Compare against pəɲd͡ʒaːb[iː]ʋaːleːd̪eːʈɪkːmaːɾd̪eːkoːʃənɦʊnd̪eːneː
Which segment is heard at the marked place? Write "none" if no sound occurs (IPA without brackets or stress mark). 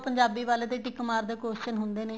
iː